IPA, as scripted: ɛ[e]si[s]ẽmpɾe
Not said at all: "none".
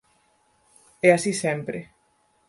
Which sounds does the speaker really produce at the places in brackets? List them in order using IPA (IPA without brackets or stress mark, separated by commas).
a, s